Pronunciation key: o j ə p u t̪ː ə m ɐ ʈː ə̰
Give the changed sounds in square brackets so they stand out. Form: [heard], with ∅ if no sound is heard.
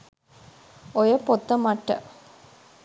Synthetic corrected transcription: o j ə p [o] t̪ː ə m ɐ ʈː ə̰